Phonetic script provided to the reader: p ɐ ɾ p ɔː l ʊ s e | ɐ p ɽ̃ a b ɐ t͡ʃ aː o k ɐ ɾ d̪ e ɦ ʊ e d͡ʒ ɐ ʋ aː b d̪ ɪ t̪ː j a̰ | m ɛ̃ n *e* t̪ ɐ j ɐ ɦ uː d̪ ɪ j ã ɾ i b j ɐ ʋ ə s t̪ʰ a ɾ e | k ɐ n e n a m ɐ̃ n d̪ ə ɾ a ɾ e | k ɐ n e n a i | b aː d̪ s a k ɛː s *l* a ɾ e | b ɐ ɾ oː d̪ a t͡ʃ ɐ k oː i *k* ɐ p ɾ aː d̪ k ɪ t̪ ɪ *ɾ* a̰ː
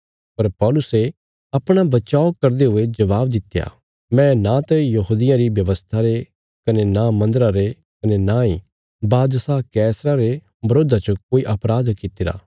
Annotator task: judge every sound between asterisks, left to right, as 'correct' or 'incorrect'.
incorrect, incorrect, incorrect, correct

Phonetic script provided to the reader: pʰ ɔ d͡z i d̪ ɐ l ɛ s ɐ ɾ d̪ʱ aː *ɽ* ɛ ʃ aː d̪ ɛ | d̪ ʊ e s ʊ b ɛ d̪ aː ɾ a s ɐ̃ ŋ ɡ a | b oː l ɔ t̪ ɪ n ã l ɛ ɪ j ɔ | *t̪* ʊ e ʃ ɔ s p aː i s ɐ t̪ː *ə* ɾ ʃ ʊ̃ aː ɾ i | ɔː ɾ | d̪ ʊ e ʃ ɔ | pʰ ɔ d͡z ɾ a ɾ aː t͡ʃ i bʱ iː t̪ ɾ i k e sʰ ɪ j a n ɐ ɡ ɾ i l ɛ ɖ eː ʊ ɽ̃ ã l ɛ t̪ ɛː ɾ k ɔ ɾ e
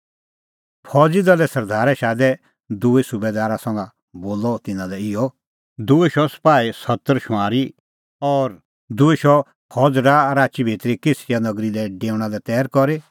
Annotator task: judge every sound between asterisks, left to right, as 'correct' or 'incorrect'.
incorrect, incorrect, correct

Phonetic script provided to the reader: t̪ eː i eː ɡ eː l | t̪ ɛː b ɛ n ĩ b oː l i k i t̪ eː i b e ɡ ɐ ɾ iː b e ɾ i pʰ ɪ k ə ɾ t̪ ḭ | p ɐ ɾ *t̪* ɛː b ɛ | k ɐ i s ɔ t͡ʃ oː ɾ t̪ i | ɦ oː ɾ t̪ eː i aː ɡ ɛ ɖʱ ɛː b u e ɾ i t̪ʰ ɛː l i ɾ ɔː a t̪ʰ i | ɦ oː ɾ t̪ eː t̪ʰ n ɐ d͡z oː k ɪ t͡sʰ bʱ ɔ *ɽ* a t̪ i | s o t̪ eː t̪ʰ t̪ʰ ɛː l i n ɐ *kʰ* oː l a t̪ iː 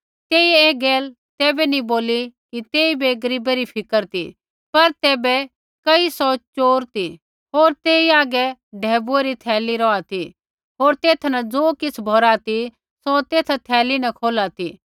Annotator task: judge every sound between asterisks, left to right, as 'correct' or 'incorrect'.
correct, incorrect, correct

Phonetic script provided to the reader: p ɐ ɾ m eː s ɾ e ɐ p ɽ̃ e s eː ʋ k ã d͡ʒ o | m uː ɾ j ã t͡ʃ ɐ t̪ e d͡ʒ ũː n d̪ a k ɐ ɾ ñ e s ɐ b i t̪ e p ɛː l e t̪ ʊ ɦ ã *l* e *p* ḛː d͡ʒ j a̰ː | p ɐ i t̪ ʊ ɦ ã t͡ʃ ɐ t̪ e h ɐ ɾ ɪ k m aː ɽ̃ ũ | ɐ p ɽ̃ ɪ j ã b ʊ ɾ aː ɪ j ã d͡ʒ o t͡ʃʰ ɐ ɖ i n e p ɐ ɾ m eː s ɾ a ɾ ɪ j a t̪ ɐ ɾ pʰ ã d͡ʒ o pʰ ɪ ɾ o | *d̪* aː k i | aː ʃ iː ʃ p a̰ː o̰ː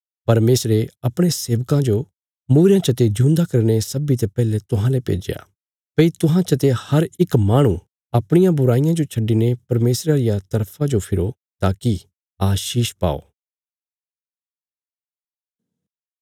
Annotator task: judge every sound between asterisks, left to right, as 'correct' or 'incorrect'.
correct, correct, incorrect

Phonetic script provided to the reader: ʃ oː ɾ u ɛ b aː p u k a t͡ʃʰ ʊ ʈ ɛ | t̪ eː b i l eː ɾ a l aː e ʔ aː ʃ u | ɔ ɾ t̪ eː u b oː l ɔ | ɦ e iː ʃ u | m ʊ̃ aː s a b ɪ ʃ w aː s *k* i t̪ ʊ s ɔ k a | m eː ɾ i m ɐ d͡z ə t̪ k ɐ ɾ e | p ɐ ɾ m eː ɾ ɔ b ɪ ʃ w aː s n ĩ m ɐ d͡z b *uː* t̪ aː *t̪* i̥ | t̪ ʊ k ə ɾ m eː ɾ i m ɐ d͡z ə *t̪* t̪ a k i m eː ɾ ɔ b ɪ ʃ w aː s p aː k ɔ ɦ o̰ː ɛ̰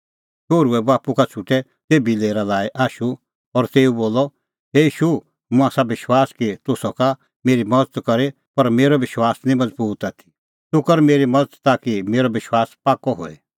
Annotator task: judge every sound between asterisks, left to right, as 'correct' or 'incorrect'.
correct, correct, incorrect, correct

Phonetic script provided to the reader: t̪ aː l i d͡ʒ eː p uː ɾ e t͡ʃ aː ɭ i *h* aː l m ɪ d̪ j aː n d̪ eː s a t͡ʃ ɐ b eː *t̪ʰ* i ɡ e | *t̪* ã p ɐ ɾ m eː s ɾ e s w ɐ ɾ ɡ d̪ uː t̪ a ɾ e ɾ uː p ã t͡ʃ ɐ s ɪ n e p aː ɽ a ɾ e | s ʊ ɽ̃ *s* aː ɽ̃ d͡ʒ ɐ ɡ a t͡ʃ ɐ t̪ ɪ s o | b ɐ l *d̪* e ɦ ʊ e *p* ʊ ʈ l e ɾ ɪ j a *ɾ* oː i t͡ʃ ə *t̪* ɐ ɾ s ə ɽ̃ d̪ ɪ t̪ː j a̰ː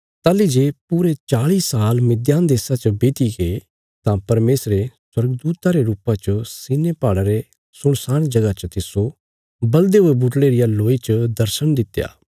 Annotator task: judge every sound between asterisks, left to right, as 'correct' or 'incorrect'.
incorrect, incorrect, correct, correct, correct, incorrect, incorrect, incorrect

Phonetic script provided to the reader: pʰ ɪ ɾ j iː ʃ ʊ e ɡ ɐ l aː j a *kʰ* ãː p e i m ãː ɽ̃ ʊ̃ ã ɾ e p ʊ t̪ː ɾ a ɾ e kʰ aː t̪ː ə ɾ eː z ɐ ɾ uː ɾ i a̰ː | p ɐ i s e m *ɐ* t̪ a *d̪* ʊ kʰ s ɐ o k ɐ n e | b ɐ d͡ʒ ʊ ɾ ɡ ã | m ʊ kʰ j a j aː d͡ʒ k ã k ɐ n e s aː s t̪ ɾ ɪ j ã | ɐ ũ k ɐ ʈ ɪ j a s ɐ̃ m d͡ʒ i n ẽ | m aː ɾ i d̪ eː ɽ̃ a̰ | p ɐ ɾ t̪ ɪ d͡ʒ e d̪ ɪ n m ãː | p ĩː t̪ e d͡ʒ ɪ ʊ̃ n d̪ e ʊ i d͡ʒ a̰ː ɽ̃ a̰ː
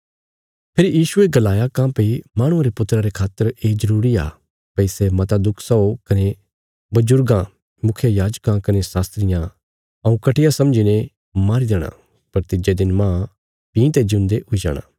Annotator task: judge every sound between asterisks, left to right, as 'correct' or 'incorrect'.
incorrect, correct, correct

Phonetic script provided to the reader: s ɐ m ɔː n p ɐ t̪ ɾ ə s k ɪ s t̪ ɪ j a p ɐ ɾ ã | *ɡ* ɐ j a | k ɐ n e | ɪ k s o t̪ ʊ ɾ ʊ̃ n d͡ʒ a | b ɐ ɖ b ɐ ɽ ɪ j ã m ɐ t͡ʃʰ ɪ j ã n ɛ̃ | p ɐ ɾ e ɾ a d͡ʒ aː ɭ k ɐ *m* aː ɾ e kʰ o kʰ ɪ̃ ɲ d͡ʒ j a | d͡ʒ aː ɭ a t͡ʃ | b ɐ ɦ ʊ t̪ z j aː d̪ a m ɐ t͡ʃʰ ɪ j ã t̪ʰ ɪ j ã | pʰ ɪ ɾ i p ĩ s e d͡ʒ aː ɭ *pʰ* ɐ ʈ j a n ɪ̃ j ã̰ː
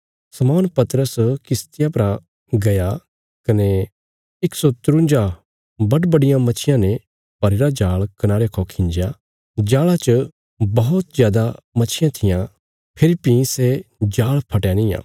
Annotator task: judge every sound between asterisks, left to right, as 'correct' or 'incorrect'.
correct, incorrect, correct

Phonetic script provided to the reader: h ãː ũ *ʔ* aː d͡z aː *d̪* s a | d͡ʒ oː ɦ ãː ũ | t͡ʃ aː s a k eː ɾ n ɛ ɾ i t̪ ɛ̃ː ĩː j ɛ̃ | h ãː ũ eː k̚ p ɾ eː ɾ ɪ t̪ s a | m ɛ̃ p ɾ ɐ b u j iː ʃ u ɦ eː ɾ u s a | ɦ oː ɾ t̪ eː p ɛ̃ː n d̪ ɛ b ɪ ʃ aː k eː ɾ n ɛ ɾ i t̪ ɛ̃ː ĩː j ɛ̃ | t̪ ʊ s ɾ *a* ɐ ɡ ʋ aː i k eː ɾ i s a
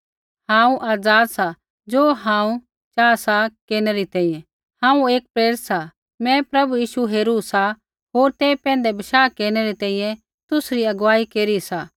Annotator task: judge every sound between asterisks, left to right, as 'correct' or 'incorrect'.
correct, correct, incorrect

